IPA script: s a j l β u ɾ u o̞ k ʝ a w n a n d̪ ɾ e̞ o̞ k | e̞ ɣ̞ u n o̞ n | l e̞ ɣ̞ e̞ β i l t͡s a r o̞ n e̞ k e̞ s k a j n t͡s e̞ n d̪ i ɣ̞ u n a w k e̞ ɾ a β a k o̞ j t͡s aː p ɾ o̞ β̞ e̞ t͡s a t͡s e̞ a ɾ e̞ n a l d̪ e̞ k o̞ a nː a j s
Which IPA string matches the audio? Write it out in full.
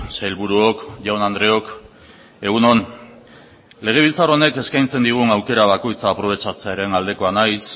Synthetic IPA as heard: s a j l β u ɾ u o̞ k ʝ a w n a n d̪ ɾ e̞ o̞ k | e̞ ɣ̞ u n o̞ n | l e̞ ɣ̞ e̞ β i l t͡s a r o̞ n e̞ k e̞ s k a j n t͡s e̞ n d̪ i ɣ̞ u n a w k e̞ ɾ a β a k o̞ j t͡s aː p ɾ o̞ β̞ e̞ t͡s a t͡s e̞ a ɾ e̞ n a l d̪ e̞ k o̞ a n a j s